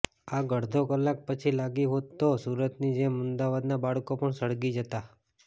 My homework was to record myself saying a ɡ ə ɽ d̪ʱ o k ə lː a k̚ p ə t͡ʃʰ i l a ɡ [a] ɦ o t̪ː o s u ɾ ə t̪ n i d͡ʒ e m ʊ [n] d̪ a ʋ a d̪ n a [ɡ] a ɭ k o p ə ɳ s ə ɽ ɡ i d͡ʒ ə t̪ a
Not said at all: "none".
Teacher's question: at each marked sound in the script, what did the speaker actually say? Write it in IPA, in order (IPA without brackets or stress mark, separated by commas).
i, n, b